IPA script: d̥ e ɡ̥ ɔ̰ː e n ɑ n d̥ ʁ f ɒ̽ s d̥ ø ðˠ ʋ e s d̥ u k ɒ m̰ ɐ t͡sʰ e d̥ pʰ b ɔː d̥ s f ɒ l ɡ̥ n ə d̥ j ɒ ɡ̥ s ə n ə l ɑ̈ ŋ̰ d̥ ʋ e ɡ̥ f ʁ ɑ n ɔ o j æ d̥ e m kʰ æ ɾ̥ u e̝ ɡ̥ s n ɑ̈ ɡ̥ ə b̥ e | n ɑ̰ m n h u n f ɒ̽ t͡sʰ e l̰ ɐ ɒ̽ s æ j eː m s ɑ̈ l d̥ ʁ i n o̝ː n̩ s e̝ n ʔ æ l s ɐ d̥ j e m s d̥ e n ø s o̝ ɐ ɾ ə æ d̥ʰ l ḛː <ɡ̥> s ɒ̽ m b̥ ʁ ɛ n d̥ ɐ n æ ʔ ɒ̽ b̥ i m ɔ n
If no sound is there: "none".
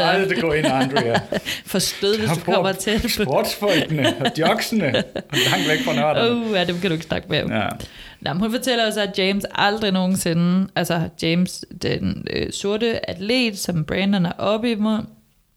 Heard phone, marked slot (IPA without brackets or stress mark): d̥